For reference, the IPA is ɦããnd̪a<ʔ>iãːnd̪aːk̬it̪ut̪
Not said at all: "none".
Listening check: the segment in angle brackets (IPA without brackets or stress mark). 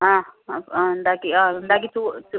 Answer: k